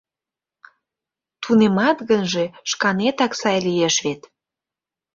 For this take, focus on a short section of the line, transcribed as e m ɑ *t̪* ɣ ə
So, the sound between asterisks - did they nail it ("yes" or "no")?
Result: yes